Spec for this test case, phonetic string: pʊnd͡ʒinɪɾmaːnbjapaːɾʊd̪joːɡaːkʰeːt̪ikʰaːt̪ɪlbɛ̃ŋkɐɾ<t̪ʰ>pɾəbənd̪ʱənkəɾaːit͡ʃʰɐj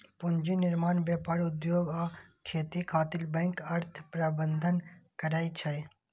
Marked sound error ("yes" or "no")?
no